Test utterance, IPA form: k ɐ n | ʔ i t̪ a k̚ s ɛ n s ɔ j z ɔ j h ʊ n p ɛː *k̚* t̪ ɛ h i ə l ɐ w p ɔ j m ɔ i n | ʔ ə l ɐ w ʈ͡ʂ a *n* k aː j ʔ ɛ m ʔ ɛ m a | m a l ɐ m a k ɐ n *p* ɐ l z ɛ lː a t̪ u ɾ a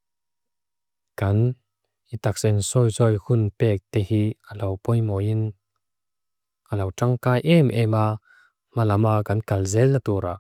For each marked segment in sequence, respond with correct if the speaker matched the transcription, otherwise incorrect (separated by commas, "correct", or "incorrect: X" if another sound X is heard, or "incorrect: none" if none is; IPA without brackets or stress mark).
correct, incorrect: ŋ, incorrect: k